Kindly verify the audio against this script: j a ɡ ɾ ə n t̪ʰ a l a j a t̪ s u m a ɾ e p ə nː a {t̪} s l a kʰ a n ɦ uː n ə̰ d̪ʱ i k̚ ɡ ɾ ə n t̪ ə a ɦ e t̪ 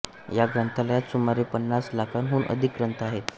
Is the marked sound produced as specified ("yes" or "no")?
no